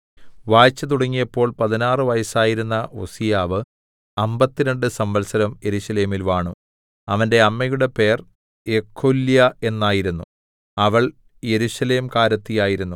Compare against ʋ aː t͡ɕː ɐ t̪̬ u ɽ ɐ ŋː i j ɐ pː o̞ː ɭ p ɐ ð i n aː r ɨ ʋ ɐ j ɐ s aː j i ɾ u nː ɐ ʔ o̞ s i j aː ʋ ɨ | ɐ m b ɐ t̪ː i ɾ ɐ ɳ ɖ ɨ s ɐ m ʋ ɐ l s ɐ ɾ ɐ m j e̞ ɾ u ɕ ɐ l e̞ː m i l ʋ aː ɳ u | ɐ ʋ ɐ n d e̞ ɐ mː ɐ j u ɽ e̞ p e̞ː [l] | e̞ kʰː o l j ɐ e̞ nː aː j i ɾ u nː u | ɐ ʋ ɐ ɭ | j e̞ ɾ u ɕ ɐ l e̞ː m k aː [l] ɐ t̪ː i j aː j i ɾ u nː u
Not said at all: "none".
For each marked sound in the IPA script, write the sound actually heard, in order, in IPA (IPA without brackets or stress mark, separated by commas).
r, ɾ